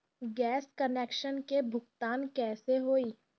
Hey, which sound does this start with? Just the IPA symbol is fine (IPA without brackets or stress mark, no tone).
ɡ